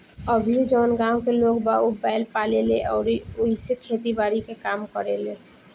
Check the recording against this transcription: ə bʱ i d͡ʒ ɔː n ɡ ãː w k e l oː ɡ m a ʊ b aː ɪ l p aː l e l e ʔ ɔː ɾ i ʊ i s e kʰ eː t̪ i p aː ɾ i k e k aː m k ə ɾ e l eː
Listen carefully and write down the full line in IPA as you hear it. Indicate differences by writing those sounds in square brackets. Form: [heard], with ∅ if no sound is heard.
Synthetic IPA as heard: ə bʱ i d͡ʒ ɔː n ɡ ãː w k e l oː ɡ [b] a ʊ b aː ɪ l p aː l e l e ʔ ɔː ɾ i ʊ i s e kʰ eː t̪ i [b] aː ɾ i k e k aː m k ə ɾ e l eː